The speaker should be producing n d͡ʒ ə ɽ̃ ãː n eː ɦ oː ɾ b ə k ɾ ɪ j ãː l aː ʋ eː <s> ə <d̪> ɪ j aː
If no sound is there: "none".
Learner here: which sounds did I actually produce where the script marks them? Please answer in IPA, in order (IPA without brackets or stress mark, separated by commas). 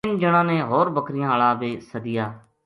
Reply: s, d̪